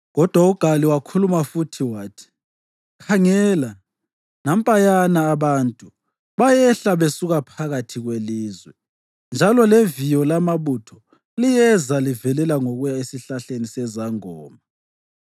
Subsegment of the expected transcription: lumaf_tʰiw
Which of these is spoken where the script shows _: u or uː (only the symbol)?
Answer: u